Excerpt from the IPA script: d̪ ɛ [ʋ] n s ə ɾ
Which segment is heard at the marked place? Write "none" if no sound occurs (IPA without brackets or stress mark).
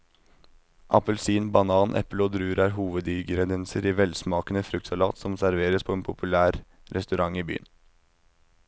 none